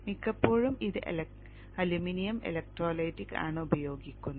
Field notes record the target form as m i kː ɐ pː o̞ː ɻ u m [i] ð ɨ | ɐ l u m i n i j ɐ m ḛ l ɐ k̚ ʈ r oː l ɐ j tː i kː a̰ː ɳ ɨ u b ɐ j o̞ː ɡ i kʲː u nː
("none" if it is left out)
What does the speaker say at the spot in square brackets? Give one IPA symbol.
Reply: i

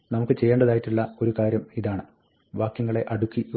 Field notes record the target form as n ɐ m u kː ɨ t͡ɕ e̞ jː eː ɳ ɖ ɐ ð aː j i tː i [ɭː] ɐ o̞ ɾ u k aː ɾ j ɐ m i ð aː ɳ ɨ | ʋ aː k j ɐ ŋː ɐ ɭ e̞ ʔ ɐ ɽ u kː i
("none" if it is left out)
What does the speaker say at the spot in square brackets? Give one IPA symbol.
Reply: ɭː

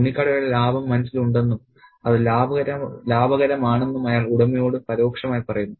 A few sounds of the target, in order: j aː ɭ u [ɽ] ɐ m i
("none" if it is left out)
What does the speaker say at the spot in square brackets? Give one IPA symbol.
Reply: ɽ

